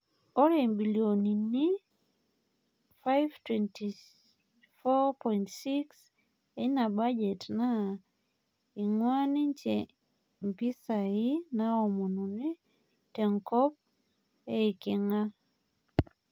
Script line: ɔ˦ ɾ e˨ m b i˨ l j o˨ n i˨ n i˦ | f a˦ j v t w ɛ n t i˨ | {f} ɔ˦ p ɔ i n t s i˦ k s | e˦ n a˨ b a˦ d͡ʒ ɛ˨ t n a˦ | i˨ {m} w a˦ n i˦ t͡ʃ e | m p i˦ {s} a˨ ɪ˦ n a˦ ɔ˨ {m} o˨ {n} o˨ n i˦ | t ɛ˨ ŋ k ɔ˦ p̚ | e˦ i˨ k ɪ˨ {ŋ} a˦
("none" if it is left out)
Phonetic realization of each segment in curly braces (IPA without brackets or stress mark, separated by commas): f, ŋ, s, m, n, ŋ